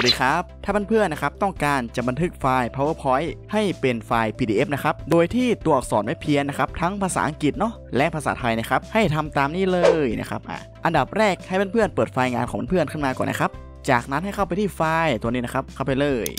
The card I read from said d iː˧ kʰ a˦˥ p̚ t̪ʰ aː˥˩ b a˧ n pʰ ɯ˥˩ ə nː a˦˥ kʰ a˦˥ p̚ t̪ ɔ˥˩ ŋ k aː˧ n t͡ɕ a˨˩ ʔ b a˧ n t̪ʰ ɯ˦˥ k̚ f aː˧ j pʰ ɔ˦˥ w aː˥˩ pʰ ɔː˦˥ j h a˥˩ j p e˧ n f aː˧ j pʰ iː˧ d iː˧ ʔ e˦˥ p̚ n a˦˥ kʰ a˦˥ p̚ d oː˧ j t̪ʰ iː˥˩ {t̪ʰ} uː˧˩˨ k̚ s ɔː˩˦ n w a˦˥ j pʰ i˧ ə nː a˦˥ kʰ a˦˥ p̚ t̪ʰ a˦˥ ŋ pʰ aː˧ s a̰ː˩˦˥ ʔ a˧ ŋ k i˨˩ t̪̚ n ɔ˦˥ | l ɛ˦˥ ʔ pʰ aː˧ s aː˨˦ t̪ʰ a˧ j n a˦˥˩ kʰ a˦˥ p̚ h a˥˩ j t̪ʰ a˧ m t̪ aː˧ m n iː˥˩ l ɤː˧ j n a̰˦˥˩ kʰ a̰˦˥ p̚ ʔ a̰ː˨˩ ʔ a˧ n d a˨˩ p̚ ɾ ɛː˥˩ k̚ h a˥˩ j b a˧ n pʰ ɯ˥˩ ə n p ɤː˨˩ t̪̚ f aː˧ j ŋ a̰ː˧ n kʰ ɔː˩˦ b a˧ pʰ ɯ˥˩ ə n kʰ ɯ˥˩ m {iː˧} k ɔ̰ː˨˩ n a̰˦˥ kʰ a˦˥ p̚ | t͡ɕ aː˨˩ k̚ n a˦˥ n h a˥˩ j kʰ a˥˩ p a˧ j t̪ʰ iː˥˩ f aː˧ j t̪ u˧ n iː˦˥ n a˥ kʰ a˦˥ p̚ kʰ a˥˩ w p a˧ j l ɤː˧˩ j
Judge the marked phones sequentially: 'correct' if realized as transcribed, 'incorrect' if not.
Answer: incorrect: t̪, incorrect: aː˧

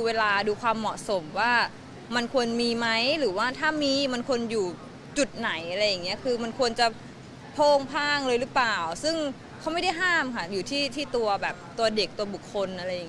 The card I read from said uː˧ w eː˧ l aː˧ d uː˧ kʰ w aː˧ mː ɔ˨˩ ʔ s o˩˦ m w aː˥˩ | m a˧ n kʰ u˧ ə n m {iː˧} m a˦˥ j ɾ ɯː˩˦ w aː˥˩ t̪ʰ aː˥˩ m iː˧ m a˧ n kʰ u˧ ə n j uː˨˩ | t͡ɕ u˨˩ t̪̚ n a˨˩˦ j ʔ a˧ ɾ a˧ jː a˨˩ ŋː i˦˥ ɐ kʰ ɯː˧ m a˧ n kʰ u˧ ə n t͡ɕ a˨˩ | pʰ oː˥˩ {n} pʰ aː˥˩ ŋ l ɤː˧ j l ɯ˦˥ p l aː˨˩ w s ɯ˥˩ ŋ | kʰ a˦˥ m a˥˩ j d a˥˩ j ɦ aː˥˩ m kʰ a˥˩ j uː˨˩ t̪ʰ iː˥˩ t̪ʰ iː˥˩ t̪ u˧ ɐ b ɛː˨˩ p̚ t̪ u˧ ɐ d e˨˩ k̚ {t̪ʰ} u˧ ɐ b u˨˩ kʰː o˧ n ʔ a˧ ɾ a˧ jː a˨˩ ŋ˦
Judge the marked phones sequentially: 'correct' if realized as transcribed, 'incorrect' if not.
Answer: correct, incorrect: ŋ, incorrect: t̪

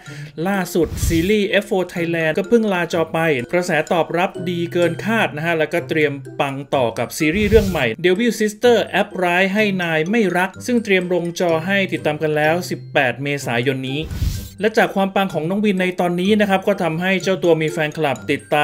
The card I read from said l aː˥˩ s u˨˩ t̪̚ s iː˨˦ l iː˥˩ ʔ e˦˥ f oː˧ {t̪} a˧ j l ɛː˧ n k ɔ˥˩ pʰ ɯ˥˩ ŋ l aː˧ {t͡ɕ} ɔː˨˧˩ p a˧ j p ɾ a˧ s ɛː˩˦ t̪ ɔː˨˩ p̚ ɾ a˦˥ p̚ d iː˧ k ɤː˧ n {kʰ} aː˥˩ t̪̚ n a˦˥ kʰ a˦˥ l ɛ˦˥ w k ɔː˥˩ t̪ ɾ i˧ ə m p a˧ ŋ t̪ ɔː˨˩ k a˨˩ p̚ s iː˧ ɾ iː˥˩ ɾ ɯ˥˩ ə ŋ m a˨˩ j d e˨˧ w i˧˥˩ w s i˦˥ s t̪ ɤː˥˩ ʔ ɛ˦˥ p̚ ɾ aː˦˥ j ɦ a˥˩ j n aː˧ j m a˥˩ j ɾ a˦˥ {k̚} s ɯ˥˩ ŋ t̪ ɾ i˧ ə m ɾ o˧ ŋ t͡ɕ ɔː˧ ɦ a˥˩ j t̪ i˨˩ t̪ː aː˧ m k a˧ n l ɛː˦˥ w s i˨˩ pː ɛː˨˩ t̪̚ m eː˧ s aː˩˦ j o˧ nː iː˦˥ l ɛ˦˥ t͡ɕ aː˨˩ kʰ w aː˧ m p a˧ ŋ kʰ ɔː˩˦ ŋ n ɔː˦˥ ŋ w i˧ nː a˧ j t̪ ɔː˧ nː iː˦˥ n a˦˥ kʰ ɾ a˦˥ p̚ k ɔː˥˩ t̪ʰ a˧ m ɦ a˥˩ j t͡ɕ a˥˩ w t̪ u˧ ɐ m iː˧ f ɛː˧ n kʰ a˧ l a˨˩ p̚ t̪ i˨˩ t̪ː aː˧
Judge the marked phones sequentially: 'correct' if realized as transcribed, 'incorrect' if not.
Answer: incorrect: t̪ʰ, correct, correct, correct

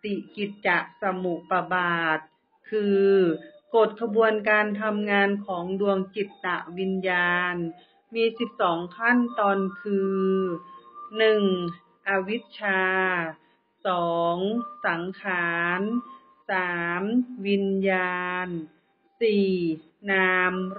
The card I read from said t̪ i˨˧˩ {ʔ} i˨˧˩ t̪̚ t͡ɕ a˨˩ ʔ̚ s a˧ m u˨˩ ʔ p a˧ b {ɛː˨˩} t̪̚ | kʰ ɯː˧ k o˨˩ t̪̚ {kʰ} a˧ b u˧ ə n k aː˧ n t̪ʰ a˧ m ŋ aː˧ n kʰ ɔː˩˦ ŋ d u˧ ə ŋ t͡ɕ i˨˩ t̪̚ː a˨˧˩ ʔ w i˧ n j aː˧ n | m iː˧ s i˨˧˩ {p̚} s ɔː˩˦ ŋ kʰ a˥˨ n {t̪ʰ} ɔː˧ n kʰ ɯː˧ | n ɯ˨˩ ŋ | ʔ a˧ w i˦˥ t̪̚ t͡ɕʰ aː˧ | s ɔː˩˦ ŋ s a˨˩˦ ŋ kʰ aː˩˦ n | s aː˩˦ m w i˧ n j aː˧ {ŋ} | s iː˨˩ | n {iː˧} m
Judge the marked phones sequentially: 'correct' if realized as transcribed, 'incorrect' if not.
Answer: incorrect: k, incorrect: aː˨˩, correct, correct, incorrect: t̪, incorrect: n, incorrect: aː˧

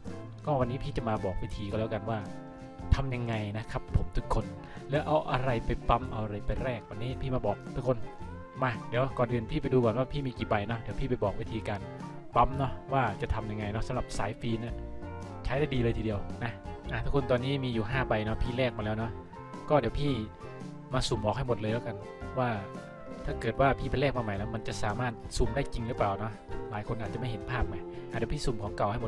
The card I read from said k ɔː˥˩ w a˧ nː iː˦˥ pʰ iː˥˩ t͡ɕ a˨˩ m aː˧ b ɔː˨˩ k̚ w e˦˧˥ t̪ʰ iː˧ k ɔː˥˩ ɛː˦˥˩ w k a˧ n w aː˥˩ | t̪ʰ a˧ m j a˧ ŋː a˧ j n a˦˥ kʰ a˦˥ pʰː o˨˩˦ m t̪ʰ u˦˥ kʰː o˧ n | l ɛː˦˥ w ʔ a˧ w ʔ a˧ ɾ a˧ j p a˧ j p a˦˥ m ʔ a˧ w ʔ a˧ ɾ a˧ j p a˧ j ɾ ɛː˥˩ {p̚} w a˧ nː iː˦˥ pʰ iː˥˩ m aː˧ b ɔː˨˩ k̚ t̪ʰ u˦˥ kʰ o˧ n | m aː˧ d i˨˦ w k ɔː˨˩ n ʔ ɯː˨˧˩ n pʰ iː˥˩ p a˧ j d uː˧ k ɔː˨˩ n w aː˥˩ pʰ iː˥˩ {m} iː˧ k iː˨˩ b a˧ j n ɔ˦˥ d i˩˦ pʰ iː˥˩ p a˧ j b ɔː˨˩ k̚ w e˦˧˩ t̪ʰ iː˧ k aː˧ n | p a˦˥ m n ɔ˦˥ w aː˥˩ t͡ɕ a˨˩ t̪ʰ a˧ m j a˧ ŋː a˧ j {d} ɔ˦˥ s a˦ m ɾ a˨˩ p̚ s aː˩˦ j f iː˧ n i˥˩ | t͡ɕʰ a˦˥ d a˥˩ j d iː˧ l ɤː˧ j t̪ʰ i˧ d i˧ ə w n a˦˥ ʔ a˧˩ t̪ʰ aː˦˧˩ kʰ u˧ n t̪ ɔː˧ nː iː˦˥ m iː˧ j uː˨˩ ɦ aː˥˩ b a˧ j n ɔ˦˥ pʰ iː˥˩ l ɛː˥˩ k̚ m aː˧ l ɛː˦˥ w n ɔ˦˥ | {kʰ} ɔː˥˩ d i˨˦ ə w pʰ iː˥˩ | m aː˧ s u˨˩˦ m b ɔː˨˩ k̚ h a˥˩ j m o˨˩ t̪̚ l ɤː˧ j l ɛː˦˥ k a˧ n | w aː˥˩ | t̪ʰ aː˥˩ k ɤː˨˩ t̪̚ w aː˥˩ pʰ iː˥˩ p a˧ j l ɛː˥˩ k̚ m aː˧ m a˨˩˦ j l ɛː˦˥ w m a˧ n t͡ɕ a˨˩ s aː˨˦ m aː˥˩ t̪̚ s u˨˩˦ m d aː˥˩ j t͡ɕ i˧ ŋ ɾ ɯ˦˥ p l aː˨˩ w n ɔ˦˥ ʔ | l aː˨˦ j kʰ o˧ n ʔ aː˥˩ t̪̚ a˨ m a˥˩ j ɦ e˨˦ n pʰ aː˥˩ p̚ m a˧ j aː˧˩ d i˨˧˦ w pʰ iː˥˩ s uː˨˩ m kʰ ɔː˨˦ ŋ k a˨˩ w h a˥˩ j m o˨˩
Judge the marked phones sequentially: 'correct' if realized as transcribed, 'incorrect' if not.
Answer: incorrect: k̚, correct, incorrect: n, incorrect: k

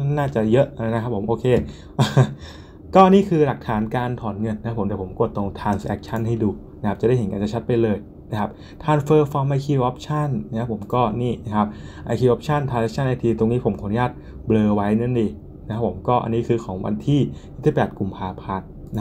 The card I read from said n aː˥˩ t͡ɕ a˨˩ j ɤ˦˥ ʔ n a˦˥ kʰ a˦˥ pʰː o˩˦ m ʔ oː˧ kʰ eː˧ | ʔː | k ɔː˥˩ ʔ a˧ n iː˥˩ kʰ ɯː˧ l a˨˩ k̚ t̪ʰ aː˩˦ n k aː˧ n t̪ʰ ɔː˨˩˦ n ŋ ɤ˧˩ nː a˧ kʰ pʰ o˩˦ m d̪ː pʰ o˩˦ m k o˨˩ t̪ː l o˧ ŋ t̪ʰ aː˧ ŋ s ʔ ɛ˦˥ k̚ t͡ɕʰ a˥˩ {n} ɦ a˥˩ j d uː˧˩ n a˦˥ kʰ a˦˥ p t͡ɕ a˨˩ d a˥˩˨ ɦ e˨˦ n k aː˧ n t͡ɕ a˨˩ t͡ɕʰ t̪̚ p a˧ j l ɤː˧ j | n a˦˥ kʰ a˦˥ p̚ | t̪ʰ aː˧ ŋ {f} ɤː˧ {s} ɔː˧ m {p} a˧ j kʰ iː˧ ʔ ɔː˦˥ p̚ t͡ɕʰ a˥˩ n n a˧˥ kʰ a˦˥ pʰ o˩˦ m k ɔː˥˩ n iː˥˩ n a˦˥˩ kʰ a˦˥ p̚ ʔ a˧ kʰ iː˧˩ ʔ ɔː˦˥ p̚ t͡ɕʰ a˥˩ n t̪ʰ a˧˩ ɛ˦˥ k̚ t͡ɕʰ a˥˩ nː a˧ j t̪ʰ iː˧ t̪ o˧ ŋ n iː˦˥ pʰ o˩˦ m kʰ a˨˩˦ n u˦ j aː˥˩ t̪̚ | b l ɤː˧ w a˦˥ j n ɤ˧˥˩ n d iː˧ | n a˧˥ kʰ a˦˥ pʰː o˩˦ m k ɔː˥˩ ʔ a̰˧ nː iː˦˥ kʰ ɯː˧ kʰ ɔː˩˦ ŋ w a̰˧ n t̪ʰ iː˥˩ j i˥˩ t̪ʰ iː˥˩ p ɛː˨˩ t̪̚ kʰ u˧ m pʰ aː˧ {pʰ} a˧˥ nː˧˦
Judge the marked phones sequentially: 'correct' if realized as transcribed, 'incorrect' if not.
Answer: correct, correct, incorrect: f, incorrect: ʔ, correct

